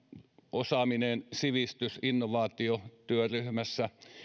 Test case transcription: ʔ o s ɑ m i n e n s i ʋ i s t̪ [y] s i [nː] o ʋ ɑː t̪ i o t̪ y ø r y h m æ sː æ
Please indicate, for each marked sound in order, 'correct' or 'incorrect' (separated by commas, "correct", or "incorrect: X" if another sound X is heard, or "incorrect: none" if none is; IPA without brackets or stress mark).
correct, correct